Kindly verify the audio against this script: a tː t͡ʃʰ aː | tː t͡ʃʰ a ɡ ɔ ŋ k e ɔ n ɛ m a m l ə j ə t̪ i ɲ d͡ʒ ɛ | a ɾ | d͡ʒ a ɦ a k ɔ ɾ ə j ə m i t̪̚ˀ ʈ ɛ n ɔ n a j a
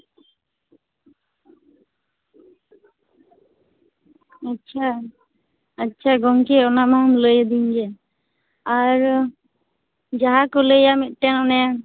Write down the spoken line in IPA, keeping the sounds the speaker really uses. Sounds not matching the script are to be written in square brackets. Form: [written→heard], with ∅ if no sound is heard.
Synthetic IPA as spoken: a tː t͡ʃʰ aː | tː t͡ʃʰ a ɡ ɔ ŋ k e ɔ n [ɛ→a] m a m l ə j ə [t̪→d̪] i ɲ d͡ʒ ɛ | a ɾ | d͡ʒ a ɦ a k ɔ [ɾ→l] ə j [ə→a] m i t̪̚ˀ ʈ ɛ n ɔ n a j a